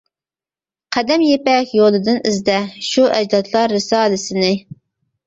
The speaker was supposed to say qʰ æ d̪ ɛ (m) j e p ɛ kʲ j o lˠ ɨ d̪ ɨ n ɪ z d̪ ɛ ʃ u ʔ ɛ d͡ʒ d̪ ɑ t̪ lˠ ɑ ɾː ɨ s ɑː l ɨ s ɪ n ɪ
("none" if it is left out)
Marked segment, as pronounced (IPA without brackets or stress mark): m